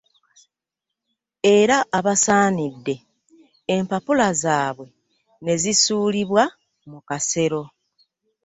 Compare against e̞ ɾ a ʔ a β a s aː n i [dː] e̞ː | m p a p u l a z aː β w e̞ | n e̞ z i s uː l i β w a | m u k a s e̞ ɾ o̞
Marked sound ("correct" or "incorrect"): correct